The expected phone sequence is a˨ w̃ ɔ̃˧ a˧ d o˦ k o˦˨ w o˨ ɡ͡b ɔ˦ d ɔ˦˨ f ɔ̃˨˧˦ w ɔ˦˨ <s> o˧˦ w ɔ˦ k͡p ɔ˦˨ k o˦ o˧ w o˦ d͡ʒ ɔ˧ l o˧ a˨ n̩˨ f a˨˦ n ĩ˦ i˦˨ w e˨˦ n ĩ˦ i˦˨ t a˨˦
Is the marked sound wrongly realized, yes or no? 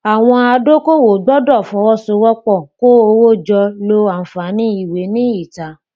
no